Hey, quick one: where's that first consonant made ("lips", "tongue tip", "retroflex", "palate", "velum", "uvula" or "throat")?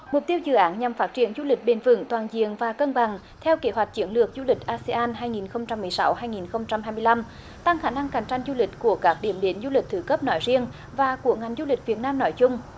lips